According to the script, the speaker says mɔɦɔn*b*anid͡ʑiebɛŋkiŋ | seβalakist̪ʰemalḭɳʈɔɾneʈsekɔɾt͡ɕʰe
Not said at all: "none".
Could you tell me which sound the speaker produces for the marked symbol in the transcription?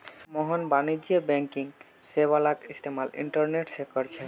b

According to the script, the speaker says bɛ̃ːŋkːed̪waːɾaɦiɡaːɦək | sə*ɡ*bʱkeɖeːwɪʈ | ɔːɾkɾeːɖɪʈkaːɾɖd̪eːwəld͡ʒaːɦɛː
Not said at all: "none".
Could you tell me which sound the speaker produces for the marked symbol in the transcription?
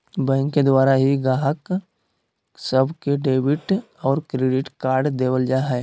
none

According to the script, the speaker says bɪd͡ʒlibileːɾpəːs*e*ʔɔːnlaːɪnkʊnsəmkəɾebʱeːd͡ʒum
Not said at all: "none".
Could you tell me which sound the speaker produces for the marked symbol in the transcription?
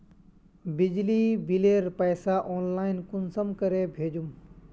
a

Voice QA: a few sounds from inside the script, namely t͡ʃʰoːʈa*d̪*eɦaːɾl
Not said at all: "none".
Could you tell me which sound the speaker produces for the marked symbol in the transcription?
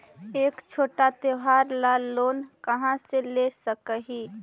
t̪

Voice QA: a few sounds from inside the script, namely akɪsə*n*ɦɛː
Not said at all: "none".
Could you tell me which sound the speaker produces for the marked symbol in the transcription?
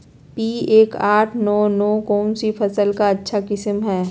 m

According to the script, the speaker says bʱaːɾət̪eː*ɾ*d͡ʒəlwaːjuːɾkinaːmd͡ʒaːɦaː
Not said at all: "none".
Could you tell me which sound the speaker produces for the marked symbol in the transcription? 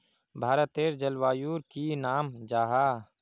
ɾ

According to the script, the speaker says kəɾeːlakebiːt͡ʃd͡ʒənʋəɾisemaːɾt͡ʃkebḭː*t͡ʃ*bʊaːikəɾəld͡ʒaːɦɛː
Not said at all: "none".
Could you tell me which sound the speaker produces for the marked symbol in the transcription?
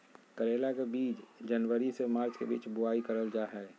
t͡ʃ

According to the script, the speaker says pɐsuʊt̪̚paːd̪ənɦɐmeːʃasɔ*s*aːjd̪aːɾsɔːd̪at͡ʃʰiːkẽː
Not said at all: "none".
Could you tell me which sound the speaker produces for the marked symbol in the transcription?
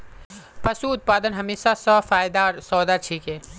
f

